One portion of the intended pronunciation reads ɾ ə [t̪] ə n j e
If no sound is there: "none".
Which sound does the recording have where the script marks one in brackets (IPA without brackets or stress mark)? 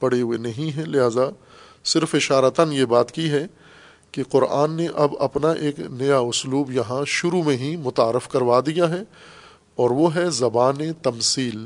t̪